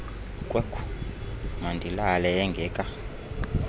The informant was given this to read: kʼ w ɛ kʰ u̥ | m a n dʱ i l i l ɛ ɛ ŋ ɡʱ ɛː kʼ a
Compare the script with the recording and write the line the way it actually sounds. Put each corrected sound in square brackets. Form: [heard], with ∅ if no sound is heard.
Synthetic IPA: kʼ w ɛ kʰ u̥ | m a n dʱ i l [a] l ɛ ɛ ŋ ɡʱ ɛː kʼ a